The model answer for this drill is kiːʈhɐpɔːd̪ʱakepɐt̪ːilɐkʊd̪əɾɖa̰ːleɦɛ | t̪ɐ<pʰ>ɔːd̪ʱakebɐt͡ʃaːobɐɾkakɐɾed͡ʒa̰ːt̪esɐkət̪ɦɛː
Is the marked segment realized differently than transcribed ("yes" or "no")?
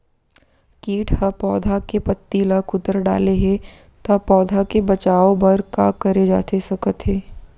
yes